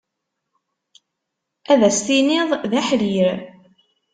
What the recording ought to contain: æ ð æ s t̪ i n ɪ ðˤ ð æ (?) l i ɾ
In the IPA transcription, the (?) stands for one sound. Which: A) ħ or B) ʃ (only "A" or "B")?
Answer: A